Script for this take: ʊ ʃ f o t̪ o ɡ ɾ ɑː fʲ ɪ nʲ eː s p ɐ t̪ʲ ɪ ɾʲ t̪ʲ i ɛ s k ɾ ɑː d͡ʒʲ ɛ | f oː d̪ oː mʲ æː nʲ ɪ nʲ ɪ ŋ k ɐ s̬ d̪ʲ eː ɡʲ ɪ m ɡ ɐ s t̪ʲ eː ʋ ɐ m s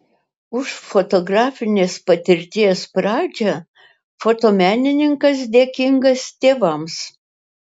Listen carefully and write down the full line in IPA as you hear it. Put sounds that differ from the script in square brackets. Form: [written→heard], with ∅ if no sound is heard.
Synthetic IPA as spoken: ʊ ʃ f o t̪ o ɡ ɾ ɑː fʲ ɪ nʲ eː s p ɐ t̪ʲ ɪ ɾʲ t̪ʲ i ɛ s [k→p] ɾ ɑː d͡ʒʲ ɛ | f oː [d̪→t̪] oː mʲ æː nʲ ɪ nʲ ɪ ŋ k ɐ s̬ d̪ʲ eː [ɡʲ→kʲ] ɪ [m→ŋ] ɡ ɐ s t̪ʲ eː ʋ ɐ m s